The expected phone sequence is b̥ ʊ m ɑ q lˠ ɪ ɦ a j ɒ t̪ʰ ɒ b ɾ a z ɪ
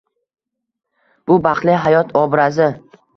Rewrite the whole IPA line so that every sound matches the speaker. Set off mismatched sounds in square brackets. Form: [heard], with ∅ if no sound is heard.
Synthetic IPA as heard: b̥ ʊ [b] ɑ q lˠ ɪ ɦ a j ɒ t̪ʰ ɒ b ɾ a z ɪ